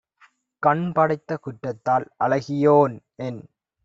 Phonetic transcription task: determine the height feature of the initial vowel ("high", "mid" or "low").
low